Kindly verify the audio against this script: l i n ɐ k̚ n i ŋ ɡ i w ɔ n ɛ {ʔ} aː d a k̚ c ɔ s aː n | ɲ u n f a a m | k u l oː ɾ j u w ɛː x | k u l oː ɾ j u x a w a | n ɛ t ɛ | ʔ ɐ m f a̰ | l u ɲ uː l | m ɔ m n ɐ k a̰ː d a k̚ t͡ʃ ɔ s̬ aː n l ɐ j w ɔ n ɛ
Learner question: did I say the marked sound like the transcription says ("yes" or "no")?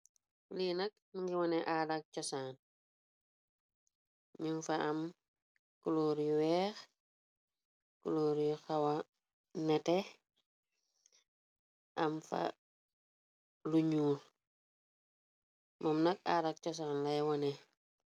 yes